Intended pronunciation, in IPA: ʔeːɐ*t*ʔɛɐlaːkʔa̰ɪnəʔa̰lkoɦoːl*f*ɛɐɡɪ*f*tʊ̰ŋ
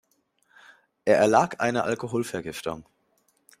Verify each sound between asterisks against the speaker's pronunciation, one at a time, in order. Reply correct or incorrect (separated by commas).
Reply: incorrect, correct, correct